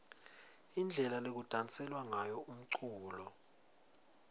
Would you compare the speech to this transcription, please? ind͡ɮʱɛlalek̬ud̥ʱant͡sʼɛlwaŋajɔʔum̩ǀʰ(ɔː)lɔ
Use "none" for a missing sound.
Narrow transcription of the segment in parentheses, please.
uː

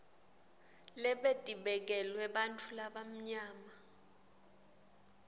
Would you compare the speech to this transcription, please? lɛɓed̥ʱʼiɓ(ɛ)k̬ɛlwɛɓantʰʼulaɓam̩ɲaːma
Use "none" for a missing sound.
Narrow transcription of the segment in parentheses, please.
ɛ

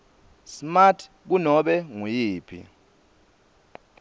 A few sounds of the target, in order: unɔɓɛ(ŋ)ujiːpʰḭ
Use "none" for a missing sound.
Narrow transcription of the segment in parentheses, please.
ŋ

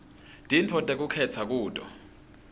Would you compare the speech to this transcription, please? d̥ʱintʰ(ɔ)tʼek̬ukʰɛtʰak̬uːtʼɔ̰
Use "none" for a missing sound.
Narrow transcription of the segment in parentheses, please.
ɔ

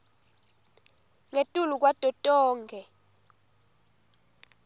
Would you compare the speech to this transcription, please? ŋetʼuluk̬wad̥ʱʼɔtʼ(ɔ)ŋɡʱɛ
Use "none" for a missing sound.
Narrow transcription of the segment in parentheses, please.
ɔː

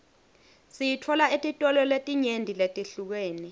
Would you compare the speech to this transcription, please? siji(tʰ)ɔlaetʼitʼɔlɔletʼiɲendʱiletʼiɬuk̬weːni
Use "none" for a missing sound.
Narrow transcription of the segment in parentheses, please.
tʰ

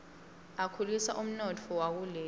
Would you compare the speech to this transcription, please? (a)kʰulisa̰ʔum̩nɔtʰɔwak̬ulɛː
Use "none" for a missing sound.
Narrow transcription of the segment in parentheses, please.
a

